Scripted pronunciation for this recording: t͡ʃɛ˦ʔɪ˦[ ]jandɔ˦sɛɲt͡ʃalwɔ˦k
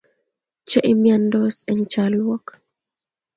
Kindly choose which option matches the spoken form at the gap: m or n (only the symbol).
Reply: m